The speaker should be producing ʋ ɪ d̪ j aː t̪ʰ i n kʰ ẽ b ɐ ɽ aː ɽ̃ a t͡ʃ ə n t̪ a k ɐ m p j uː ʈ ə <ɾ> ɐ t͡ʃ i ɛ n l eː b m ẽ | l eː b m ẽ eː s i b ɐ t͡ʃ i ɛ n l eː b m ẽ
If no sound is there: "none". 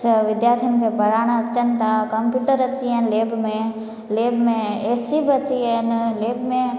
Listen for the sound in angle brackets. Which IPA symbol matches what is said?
ɾ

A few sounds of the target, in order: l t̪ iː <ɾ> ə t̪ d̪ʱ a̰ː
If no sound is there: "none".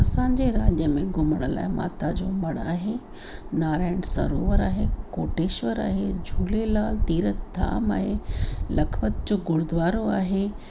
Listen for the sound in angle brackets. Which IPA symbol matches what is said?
ɾ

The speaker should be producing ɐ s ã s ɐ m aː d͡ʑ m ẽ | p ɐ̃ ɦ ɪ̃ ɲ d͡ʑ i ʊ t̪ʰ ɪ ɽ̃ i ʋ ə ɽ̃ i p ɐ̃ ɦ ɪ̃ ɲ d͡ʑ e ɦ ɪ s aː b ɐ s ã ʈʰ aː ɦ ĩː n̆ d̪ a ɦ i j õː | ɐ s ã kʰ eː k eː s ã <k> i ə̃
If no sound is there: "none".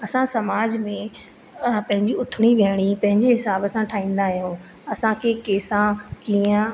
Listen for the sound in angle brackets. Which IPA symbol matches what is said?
k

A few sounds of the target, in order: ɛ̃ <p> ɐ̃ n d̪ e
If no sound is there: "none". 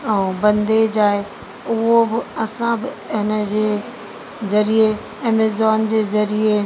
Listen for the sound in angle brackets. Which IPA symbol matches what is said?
b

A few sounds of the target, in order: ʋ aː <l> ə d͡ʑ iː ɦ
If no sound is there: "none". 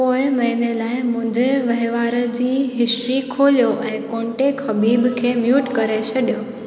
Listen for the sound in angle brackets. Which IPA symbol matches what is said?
ɾ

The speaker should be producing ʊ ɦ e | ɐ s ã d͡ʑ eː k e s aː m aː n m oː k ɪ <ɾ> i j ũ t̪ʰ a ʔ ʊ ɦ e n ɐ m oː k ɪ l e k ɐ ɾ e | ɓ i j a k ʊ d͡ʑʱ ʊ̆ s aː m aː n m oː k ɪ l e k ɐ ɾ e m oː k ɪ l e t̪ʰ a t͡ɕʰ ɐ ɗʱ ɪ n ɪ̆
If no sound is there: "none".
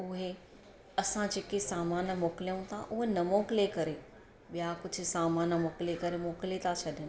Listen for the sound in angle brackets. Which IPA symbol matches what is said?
l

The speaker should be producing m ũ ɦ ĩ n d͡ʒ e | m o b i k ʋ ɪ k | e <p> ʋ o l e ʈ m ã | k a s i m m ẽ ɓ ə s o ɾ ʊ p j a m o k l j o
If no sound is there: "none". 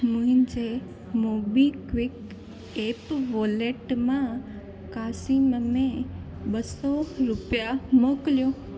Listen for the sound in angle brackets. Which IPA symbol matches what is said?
p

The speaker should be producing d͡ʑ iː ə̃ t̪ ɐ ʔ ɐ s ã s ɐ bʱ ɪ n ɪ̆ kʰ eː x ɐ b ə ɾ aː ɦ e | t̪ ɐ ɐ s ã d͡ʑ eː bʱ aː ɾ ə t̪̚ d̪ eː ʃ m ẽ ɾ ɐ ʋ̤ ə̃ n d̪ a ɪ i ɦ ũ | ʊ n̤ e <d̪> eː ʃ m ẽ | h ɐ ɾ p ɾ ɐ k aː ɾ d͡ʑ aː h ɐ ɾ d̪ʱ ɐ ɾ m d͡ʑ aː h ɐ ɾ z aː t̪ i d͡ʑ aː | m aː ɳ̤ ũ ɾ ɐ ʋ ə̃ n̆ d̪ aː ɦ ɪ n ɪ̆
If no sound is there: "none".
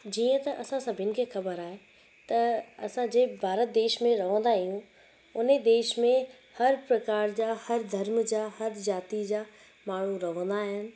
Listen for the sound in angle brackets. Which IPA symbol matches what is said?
d̪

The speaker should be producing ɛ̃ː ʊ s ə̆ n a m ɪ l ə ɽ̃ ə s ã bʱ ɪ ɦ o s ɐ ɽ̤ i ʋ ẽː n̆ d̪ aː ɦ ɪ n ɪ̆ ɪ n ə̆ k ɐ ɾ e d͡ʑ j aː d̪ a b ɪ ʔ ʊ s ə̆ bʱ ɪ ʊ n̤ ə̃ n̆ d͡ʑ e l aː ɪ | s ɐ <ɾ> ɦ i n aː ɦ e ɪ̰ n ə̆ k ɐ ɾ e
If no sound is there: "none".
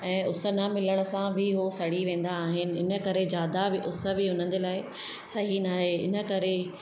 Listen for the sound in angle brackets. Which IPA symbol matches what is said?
none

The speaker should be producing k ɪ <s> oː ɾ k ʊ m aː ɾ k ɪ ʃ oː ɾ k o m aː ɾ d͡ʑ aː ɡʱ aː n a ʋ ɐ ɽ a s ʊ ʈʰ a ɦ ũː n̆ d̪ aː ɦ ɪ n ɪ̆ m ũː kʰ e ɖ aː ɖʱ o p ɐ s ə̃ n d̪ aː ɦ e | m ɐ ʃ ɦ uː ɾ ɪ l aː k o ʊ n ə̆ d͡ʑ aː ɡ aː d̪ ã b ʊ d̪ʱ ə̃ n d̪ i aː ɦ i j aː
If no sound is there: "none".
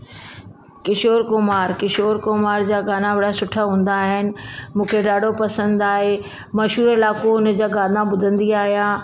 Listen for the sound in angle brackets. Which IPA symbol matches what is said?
ʃ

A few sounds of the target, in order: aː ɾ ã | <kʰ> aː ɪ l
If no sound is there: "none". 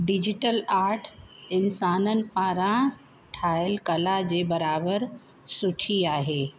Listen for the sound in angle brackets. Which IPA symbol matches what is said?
ʈʰ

